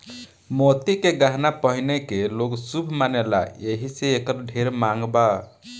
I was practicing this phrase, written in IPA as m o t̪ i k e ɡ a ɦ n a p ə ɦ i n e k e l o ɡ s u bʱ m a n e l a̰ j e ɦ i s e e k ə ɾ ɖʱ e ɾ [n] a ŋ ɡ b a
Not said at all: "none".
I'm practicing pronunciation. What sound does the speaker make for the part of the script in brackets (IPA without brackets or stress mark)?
m